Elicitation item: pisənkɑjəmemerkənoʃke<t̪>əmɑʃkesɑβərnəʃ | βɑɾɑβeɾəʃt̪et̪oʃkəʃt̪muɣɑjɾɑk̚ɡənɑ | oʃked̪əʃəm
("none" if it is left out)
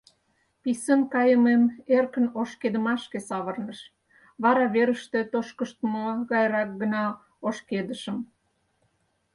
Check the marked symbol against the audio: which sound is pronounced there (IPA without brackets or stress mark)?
d̪